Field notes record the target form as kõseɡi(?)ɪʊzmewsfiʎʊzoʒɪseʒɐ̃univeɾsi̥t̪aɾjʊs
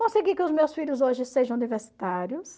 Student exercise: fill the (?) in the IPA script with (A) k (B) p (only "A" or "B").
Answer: A